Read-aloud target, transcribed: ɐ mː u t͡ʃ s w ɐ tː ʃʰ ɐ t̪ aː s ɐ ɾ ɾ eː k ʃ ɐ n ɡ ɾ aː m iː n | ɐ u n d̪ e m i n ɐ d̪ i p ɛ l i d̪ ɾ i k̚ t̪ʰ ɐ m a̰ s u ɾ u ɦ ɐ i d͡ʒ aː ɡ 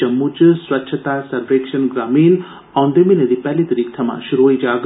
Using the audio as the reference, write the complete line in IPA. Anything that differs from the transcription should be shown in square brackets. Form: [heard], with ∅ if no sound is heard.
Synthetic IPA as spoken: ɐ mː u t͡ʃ s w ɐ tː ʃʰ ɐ t̪ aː s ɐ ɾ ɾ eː k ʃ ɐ n ɡ ɾ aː m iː n | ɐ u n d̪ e m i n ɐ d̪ i p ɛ l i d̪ ɾ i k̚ t̪ʰ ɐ m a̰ [ʃ] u ɾ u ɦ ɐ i d͡ʒ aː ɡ